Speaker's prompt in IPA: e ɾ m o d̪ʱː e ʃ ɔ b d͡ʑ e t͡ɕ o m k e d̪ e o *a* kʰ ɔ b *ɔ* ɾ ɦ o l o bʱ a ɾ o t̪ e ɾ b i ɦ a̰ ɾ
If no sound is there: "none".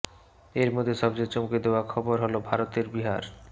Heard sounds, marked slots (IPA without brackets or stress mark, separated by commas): a, o